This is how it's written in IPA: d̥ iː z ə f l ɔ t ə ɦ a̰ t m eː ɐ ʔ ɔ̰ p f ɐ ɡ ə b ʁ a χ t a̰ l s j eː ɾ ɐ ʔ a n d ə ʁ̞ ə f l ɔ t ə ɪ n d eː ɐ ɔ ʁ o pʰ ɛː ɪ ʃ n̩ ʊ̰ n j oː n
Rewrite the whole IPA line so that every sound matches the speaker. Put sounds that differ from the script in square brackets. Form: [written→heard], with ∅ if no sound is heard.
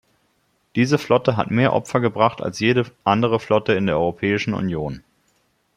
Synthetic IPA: d̥ iː z ə f l ɔ t ə ɦ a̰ t m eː ɐ ʔ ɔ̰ p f ɐ ɡ ə b ʁ a χ t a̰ l s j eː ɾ [ɐ→ə] ʔ a n d ə ʁ̞ ə f l ɔ t ə ɪ n d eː ɐ ɔ ʁ o pʰ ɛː ɪ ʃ n̩ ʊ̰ n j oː n

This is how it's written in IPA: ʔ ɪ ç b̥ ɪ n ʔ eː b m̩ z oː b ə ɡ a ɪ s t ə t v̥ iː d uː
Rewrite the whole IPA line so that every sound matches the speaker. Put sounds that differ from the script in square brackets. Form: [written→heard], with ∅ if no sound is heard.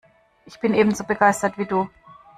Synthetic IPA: ʔ ɪ ç b̥ ɪ n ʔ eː b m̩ z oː b ə ɡ a ɪ s t [ə→ɐ] t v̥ iː d uː

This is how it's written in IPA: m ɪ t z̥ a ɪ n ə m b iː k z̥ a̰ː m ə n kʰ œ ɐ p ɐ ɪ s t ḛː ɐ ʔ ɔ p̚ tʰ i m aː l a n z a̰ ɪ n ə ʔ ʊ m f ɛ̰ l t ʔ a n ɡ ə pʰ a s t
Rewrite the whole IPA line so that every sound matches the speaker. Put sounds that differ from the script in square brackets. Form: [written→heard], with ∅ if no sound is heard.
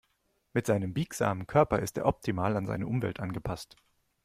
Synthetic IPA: m ɪ t z̥ a ɪ n ə m b iː k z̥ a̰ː m ə n kʰ œ ɐ p ɐ ɪ s t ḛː ɐ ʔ ɔ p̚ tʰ i m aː l a n z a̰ ɪ n ə ʔ ʊ m [f→v] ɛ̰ l t ʔ a n ɡ ə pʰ a s t

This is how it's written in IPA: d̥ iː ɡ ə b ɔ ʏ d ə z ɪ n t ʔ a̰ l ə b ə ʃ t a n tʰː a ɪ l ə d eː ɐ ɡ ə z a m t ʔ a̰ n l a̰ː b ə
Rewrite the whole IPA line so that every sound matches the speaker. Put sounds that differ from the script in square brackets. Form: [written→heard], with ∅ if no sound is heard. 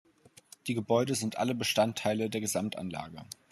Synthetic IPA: d̥ iː ɡ ə b ɔ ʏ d ə z ɪ n t ʔ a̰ l ə b ə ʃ t a n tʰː a ɪ l ə d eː ɐ ɡ ə z a m t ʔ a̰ n l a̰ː [b→ɡ] ə

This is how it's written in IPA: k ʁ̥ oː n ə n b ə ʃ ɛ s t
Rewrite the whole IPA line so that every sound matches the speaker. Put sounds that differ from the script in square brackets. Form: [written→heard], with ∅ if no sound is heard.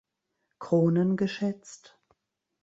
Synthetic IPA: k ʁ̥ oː n ə n [b→ɡ] ə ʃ ɛ [s→t͡s] t

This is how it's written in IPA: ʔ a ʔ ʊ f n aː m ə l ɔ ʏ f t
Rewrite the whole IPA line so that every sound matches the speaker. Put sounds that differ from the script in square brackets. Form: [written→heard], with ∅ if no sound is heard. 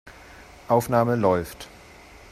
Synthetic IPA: ʔ a [ʔ→∅] ʊ f n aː m ə l ɔ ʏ f t

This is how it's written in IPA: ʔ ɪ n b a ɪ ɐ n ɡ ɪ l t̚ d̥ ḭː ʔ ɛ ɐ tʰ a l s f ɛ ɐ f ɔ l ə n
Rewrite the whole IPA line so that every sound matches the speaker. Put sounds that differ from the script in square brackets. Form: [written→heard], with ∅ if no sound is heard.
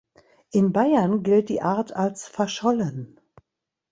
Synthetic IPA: ʔ ɪ n b a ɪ ɐ n ɡ ɪ l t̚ d̥ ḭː ʔ [ɛ→a] ɐ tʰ a l s f ɛ ɐ [f→ʃ] ɔ l ə n

